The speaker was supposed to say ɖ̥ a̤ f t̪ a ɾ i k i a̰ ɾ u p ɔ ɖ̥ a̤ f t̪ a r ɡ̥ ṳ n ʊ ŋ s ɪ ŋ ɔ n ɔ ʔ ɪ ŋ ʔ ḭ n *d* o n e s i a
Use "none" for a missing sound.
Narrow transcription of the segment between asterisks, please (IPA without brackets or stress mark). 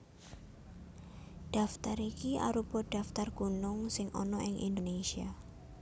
d